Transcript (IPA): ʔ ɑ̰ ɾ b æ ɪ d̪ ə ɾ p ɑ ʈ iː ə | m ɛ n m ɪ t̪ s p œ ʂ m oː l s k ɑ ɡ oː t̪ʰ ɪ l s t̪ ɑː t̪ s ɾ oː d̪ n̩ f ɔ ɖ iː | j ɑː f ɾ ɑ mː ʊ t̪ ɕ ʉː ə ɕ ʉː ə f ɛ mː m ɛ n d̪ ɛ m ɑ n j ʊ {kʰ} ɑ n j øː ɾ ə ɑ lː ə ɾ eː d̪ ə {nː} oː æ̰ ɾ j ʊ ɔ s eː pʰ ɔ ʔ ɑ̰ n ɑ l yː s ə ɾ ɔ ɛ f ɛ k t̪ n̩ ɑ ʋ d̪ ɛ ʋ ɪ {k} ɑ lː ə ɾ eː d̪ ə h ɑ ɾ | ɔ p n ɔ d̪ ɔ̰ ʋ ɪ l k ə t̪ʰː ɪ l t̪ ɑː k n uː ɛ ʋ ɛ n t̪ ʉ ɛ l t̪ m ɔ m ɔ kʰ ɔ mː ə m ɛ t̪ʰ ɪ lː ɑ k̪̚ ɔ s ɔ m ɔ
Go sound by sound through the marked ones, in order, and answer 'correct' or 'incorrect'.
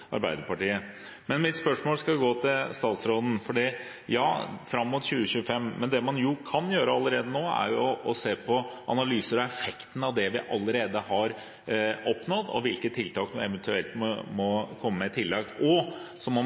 correct, incorrect, incorrect

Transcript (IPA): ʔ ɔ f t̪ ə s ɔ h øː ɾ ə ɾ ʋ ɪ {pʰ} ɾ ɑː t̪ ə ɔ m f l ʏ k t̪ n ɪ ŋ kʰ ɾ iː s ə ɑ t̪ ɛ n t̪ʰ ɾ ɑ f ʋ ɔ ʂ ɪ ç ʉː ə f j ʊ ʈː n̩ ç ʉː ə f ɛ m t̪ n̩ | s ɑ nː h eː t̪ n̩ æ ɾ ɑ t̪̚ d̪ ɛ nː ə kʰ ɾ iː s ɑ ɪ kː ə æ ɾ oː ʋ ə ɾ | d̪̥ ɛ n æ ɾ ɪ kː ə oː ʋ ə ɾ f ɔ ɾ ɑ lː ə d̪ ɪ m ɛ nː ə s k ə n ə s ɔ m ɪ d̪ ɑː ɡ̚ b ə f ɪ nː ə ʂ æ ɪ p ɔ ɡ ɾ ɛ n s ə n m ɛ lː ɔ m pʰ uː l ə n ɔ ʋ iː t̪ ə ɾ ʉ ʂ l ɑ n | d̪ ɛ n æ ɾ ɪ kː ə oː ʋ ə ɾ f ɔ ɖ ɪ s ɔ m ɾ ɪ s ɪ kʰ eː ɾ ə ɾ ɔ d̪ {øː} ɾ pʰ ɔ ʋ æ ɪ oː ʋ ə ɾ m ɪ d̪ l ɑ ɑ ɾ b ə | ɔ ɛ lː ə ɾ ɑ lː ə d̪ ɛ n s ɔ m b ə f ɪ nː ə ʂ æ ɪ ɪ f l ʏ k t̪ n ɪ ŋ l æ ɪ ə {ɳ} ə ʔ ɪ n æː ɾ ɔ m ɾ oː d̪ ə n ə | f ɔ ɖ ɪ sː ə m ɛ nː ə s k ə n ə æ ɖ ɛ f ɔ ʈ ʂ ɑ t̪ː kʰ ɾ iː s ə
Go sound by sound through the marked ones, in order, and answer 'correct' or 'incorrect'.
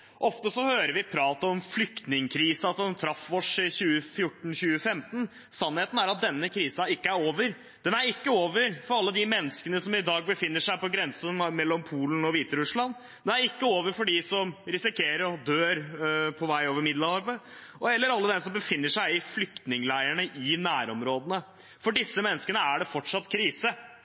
correct, correct, correct

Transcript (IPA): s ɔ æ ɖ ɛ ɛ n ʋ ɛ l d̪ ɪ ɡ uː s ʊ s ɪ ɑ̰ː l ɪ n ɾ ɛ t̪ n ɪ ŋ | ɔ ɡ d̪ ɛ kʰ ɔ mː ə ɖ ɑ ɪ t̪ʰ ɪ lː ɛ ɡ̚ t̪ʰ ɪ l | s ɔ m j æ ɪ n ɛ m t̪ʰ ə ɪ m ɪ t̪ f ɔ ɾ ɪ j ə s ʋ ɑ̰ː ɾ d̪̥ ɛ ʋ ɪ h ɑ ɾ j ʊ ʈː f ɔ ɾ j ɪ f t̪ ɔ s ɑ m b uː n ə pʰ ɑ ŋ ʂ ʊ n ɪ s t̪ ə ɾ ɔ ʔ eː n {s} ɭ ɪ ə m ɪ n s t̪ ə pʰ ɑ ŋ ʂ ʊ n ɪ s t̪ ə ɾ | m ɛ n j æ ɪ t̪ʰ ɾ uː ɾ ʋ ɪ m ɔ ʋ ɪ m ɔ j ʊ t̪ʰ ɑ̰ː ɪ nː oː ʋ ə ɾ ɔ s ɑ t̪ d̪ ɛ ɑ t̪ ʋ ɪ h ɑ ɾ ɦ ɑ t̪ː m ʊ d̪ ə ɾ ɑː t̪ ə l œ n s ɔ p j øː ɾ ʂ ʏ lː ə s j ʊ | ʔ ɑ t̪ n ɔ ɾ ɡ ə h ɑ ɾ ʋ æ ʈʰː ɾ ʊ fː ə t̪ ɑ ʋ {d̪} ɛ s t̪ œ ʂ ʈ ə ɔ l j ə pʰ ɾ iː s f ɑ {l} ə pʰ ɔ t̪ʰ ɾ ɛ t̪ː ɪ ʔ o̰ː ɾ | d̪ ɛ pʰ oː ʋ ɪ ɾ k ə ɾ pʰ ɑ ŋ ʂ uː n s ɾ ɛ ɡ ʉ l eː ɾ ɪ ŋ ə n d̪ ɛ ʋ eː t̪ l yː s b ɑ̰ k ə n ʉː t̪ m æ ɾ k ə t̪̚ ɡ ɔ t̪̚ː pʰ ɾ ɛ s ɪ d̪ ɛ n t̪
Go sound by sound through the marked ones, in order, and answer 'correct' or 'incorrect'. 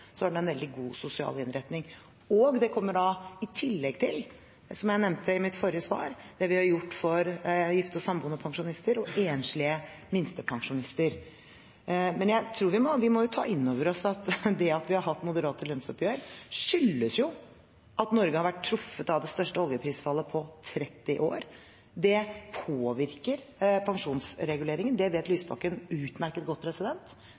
incorrect, correct, incorrect

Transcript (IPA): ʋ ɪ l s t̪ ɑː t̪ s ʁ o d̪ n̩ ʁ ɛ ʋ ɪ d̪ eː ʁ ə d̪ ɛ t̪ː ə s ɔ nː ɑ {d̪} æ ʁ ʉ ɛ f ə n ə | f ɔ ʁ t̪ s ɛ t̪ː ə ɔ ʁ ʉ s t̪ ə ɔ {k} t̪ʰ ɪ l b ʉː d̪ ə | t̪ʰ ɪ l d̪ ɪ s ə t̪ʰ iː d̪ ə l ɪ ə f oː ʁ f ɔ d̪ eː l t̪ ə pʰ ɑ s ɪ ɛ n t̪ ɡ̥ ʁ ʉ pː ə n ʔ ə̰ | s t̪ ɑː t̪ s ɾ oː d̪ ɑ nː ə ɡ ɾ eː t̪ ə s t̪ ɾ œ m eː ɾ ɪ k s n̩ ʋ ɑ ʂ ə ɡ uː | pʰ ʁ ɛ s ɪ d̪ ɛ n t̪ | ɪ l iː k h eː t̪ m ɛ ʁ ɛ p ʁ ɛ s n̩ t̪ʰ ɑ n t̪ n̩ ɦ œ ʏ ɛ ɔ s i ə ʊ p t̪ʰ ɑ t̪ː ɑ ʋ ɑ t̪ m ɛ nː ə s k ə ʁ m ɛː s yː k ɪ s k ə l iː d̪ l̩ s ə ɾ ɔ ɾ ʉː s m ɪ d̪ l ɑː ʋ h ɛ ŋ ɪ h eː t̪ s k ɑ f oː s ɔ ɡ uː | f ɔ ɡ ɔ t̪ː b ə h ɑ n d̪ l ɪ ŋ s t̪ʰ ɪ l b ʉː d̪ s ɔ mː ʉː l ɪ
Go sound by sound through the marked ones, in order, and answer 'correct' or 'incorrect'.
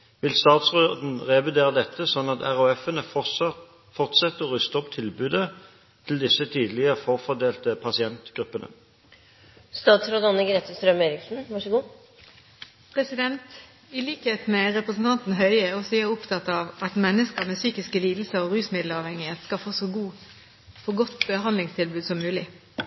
incorrect, incorrect

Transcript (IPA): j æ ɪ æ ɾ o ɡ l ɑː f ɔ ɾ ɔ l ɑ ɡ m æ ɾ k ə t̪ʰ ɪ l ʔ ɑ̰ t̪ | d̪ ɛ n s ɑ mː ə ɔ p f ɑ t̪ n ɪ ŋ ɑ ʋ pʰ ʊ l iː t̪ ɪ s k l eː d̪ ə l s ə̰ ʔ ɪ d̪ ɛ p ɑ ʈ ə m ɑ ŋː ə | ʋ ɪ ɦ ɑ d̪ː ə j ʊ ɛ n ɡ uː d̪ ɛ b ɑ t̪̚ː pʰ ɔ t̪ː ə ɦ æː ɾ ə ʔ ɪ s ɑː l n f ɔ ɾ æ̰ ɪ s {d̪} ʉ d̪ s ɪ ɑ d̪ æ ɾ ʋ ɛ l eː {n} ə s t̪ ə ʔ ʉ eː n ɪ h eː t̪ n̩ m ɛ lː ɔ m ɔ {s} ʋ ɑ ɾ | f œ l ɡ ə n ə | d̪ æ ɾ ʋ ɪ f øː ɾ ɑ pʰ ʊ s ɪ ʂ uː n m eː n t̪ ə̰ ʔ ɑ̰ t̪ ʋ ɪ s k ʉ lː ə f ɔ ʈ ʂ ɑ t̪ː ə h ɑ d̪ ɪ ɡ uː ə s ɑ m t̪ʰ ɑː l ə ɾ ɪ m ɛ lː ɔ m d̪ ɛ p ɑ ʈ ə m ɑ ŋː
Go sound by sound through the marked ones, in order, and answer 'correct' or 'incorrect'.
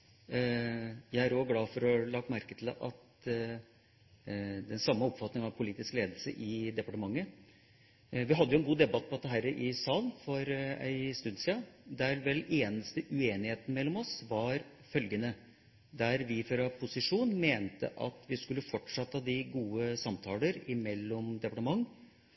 incorrect, correct, correct

